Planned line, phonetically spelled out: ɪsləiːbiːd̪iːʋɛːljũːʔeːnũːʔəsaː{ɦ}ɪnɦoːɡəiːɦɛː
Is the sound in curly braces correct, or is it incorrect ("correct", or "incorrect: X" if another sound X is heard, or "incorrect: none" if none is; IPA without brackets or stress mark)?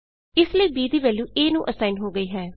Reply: incorrect: none